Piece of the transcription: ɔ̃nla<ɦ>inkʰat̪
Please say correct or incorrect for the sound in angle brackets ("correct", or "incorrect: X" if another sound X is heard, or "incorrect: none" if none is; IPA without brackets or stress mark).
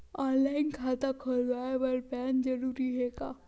incorrect: none